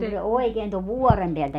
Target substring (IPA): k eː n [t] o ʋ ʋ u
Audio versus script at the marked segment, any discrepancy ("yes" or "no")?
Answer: no